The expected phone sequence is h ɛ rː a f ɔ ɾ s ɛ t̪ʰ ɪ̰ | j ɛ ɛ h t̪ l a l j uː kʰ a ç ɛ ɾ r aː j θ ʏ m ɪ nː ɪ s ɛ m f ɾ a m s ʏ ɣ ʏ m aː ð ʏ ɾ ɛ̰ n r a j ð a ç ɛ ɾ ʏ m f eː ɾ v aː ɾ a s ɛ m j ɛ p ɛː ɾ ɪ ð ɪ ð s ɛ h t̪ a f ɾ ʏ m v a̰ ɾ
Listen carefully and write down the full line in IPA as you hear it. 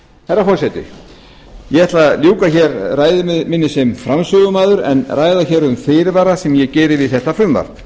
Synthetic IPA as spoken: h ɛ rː a f ɔ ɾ s ɛ t̪ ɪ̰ | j ɛ ɛ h t̪ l a l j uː k a ç ɛ ɾ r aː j ð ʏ m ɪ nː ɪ s ɛ m f ɾ a m s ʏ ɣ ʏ m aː ð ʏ ɾ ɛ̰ n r a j ð a ç ɛ ɾ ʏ m f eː ɾ v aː ɾ a s ɛ m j ɛ c ɛː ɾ ɪ v ɪ ð θ ɛ h t̪ a f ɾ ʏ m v a̰ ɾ

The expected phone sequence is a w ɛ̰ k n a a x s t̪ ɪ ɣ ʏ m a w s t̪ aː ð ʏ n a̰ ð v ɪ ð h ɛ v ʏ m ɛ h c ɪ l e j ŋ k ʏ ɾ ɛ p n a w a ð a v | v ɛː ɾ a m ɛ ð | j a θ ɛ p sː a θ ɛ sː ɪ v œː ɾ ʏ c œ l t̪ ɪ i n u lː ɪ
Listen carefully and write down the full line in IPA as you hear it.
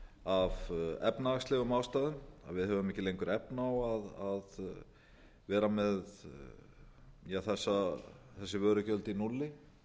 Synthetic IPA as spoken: a v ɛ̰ p n a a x s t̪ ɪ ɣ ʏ m a w s t̪ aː ð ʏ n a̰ ð v ɪ ð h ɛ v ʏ m ɛ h c ɪ l e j ŋ k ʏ ɾ ɛ p n a w a ð a ð | v ɛː ɾ a m ɛ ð | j a θ ɛ sː a θ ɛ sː ɪ v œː ɾ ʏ c œ l t̪ ɪ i n u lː ɪ

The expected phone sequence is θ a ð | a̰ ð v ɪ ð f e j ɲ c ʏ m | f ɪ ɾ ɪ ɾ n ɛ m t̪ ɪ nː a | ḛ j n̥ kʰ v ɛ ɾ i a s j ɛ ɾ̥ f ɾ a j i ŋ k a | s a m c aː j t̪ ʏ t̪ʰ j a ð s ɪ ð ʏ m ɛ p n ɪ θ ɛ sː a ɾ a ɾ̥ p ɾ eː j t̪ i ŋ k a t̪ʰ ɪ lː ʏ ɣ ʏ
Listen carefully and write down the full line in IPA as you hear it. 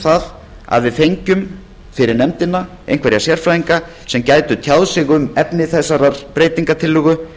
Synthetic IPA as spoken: θ a ð | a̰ ð v ɪ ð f e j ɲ c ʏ m | f ɪ ɾ ɪ ɾ n ɛ m t̪ ɪ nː a | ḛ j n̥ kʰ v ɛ ɾ j a s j ɛ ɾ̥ f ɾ a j i ŋ k a | s ɛ m c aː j t̪ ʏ t̪ʰ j a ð s ɪ ɣ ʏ m ɛ p n ɪ θ ɛ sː a ɾ a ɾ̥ p ɾ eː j t̪ i ŋ k a t̪ʰ ɪ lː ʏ ɣ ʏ

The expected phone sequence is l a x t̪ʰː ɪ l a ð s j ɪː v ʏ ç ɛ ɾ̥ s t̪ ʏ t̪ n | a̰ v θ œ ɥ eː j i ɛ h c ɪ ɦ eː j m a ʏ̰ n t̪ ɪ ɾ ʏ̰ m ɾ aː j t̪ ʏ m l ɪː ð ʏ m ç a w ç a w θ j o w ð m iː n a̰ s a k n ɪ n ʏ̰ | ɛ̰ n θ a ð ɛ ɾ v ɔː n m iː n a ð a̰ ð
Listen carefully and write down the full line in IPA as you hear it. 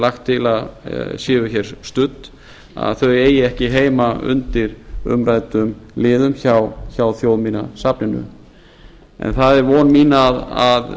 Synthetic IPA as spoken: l a x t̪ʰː ɪ l a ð s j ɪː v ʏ ç ɛ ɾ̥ s t̪ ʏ t̪ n | a̰ ð θ œ ɥ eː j ɪ ɛ h c ɪ ɦ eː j m a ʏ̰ n t̪ ɪ ɾ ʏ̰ m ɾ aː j t̪ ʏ m l ɪː ð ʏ m ç a w ç a w θ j o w ð m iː n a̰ s a p n ɪ n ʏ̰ | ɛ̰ n θ a ð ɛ ɾ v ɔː n m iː n a ð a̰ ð

